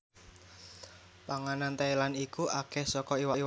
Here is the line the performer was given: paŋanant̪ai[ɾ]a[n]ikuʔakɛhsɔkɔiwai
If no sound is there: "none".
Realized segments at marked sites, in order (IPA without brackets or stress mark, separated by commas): l, n